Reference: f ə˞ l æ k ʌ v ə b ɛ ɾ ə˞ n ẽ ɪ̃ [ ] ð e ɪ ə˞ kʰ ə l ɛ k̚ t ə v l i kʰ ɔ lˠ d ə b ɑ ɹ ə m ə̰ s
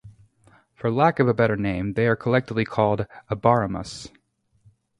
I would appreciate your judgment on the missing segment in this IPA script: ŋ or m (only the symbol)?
m